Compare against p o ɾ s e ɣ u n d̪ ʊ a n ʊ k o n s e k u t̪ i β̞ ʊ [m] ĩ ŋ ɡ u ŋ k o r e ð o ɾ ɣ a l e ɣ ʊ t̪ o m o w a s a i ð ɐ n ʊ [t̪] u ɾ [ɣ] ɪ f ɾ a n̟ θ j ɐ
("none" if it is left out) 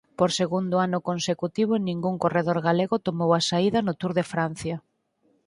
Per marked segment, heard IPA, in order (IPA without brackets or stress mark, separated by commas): n, t̪, ð